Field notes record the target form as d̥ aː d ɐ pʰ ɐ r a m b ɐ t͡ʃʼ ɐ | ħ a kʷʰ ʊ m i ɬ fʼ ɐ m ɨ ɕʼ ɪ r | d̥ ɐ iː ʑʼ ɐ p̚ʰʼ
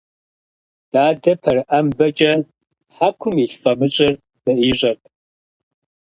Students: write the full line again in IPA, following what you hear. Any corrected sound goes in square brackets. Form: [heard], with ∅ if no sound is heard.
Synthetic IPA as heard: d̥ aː d ɐ pʰ ɐ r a m b ɐ t͡ʃʼ ɐ | ħ a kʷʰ ʊ m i ɬ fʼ ɐ m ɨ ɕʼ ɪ r | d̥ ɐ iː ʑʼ ɐ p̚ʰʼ